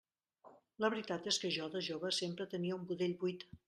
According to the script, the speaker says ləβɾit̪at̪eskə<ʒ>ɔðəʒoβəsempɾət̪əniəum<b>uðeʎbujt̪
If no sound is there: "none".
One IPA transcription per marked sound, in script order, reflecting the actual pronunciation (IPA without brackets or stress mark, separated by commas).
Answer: ʒ, b